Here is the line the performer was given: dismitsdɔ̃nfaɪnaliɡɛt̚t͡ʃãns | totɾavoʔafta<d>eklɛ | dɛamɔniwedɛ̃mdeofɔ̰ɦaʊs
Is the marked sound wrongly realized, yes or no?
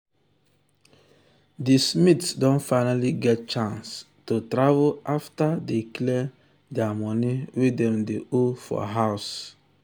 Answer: no